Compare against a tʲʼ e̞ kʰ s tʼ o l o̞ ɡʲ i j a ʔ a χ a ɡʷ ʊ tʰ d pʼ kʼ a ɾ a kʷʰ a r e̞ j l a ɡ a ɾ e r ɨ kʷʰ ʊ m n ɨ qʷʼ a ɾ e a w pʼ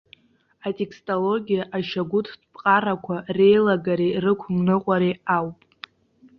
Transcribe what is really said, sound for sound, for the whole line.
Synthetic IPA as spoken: a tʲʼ e̞ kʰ s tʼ o l o̞ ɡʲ i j a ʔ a ʃ a ɡʷ ʊ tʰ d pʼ qʼ a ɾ a kʷʰ a r e̞ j l a ɡ a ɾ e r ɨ kʷʰ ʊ m n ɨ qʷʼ a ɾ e a w pʼ